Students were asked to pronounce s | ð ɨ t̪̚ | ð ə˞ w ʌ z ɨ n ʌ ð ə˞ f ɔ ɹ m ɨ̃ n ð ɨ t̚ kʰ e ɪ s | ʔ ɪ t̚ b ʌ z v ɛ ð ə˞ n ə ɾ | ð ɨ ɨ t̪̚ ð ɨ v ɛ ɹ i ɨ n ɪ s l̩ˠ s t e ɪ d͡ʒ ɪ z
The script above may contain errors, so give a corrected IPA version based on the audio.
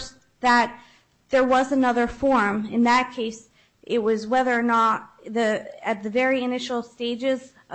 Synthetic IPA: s | ð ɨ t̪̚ | ð ə˞ w ʌ z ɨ n ʌ ð ə˞ f ɔ ɹ m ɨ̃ n ð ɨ t̚ kʰ e ɪ s | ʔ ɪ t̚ w ʌ z w ɛ ð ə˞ n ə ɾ | ð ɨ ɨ t̪̚ ð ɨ v ɛ ɹ i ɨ n ɪ ʃ l̩ˠ s t e ɪ d͡ʒ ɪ z